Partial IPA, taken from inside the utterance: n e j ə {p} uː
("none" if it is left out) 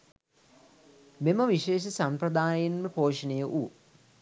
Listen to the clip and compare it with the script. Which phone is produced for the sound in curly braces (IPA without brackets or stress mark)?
ʔ